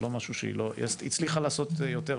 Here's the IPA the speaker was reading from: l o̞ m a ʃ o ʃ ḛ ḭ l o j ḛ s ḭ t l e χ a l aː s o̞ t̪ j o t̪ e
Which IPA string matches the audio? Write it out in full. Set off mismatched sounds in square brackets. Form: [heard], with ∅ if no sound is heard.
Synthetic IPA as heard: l o̞ m a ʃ [u] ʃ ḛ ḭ l o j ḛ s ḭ [t͡s] l [i] χ a l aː s o̞ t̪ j o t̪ e